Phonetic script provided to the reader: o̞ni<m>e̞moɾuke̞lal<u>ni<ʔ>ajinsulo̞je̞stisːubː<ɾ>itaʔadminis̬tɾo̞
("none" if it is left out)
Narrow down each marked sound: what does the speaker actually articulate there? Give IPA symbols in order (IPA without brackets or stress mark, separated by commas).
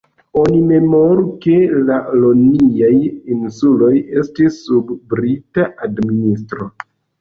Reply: m, o, none, ɾ